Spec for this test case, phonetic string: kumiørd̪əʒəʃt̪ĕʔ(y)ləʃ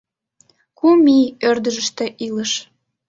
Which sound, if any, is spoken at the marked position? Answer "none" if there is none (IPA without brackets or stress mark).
i